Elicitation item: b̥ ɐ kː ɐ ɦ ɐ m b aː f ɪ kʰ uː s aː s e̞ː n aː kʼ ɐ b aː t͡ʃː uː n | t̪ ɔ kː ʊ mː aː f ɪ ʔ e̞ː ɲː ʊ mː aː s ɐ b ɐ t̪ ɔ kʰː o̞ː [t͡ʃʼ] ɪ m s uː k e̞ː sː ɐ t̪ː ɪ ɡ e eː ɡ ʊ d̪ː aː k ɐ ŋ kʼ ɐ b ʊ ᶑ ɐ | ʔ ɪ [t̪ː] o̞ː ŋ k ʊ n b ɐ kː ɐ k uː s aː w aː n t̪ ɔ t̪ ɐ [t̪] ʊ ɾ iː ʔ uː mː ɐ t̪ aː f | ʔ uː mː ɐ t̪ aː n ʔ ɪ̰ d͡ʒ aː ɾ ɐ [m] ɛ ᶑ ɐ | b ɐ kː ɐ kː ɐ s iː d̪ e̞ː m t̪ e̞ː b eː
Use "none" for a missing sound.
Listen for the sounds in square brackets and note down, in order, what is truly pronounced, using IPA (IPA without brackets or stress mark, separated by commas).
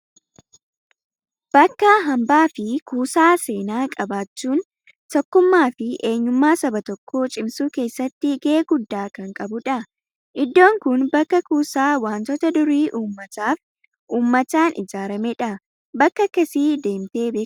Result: t͡ʃʼ, d̪ː, d̪, m